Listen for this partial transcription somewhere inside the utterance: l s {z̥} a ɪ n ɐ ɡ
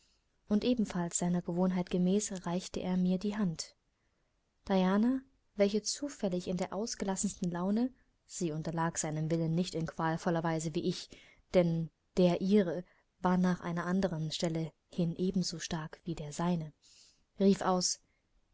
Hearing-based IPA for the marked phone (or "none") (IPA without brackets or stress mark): z̥